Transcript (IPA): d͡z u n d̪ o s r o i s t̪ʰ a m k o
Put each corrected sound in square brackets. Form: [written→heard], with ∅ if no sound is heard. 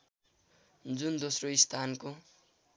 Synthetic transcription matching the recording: d͡z u n d̪ o s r o i s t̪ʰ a [m→n] k o

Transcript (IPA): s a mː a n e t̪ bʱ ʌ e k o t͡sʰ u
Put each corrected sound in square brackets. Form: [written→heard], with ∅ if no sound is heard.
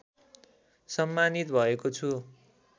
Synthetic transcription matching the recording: s [a→ʌ] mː a n [e→i] t̪ bʱ ʌ e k o t͡sʰ u

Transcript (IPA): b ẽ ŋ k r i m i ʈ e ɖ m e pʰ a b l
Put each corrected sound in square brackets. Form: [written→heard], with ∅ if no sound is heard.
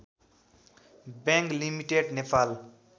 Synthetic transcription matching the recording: b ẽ ŋ k [r→l] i m i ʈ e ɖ [m→n] e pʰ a [b→∅] l

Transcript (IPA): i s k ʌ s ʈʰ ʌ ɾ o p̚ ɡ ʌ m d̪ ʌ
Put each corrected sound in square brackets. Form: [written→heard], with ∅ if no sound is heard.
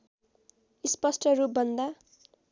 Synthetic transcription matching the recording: i s [k→p] ʌ s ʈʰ ʌ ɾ [o→u] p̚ [ɡ→b] ʌ [m→n] d̪ [ʌ→a]

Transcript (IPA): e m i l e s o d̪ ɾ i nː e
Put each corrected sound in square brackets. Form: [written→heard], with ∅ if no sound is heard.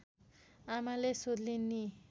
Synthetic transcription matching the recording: [e→a] m [i→a] l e s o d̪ [ɾ→l] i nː [e→i]

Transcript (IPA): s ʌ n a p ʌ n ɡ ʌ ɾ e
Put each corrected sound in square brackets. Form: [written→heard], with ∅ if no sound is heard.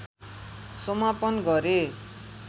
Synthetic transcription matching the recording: s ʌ [n→m] a p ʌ n ɡ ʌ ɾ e

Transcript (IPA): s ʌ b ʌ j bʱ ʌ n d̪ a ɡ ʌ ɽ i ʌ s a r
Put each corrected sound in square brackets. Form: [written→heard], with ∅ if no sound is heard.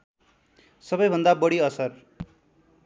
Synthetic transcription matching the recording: s ʌ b ʌ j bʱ ʌ n d̪ a [ɡ→b] ʌ ɽ i ʌ s [a→ʌ] r

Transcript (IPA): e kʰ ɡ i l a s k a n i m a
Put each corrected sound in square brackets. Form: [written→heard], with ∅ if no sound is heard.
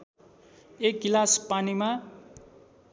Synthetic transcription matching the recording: e [kʰ→k] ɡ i l a s [k→p] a n i m a

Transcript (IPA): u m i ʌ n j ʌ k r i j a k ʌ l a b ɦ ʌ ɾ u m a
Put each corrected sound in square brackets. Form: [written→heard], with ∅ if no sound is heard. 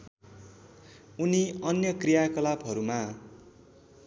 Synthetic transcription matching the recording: u [m→n] i ʌ n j ʌ k r i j a k ʌ l a b ɦ ʌ ɾ u m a

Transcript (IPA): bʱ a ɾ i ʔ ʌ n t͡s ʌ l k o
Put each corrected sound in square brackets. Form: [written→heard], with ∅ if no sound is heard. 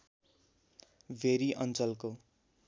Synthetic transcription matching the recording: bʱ [a→e] ɾ i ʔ ʌ n t͡s ʌ l k o

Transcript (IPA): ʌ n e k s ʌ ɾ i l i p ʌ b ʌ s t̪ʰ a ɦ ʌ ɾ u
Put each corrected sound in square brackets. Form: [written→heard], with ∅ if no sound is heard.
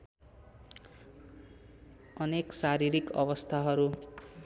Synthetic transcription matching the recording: ʌ n e k s [ʌ→a] ɾ i [l→ɾ] i [p→k] ʌ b ʌ s t̪ʰ a ɦ ʌ ɾ u

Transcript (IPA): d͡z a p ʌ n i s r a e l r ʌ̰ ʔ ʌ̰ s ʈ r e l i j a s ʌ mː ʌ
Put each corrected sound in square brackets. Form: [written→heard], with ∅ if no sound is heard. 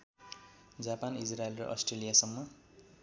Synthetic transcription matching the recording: d͡z a p [ʌ→a] n i s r a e l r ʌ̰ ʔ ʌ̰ s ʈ r e l i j a s ʌ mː ʌ

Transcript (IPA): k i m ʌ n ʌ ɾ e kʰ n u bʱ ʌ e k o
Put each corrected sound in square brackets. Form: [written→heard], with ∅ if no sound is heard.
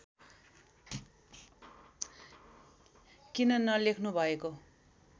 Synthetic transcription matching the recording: k i [m→n] ʌ n ʌ [ɾ→l] e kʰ n u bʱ ʌ e k o

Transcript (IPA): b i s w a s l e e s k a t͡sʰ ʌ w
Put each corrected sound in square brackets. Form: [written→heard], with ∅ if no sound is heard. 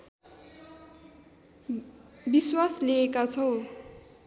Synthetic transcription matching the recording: b i s w a s l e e [s→∅] k a t͡sʰ ʌ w

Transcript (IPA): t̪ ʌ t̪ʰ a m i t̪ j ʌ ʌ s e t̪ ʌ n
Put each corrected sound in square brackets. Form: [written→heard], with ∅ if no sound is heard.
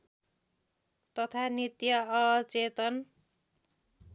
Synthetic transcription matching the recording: t̪ ʌ t̪ʰ a [m→n] i t̪ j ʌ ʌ [s→t͡s] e t̪ ʌ n

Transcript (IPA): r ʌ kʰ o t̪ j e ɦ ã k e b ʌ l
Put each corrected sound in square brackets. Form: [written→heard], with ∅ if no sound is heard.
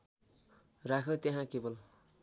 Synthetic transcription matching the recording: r [ʌ→a] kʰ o t̪ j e ɦ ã k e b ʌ l

